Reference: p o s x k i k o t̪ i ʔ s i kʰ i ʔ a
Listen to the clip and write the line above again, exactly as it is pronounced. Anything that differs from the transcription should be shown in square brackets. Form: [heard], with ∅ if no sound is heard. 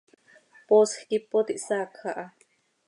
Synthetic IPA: p o s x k i [p] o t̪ i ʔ s [a] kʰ [a] ʔ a